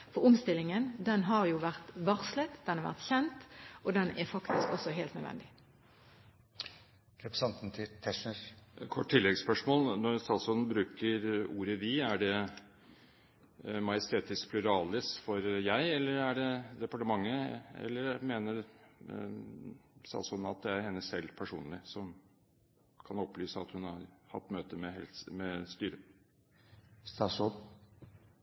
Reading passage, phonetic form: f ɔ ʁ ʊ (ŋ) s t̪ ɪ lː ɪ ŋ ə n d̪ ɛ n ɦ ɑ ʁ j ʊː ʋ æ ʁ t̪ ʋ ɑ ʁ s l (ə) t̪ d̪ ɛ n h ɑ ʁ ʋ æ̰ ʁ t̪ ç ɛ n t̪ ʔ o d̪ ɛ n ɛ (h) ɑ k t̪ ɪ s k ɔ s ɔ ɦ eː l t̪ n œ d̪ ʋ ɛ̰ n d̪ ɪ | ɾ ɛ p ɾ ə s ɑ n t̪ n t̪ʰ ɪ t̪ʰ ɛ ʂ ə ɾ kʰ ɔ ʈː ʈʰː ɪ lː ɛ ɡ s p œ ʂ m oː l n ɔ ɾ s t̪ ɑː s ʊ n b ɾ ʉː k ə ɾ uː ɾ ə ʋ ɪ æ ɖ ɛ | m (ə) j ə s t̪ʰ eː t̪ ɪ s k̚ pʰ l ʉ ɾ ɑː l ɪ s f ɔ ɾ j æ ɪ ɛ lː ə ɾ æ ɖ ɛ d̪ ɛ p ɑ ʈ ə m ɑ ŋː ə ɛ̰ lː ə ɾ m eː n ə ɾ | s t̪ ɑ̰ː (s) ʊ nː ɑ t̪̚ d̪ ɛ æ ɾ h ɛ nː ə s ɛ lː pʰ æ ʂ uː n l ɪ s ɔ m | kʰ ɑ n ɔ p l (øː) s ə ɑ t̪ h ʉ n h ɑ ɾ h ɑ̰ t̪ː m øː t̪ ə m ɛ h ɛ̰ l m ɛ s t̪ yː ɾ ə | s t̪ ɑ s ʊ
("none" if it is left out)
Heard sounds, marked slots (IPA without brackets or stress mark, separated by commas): m, ə, f, ɑ, s, yː